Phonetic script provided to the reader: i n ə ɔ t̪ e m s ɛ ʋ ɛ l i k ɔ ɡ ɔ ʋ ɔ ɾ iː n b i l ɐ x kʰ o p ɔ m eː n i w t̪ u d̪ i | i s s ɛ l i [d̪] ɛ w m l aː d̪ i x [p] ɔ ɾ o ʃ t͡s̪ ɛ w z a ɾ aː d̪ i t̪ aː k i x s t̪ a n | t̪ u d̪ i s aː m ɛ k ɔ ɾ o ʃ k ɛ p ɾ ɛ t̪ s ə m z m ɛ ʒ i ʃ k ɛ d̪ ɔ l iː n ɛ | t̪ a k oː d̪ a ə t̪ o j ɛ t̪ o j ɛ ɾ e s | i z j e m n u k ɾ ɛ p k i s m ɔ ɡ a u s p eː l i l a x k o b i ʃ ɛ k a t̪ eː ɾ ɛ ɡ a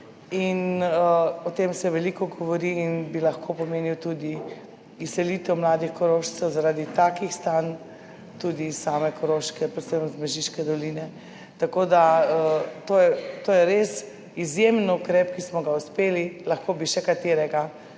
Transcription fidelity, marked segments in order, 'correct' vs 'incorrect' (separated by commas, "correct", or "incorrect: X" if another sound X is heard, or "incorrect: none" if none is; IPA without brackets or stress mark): incorrect: t̪, incorrect: k